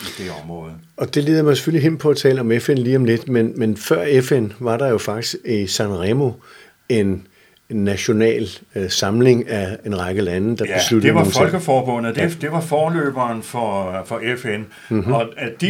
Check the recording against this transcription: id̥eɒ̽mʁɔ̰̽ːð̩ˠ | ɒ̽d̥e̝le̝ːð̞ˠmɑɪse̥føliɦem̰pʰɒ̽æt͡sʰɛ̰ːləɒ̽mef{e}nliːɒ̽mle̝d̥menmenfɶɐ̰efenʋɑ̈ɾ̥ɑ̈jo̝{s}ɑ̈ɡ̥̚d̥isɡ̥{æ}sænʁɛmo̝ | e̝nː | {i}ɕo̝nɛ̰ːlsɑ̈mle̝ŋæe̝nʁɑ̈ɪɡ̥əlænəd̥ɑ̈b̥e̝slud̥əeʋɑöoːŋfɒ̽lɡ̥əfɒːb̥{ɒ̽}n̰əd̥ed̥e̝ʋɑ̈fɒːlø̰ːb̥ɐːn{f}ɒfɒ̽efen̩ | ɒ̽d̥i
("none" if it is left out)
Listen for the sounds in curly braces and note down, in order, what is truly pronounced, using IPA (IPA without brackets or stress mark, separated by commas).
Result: e, f, i, æ, ɔ̽, f